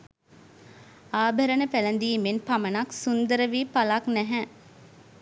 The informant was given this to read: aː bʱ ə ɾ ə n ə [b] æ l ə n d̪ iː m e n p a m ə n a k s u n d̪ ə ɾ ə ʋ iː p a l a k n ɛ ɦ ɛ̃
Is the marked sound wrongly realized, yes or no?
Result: yes